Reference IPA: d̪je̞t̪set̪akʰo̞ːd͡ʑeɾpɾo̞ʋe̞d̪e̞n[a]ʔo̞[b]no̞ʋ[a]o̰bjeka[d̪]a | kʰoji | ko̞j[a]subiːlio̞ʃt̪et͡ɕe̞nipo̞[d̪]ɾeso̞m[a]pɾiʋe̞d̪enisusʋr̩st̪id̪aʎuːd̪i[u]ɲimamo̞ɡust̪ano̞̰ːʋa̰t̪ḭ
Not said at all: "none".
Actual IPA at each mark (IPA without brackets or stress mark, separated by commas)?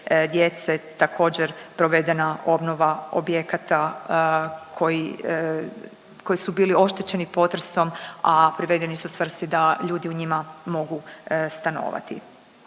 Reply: a, b, a, t̪, i, t̪, a, u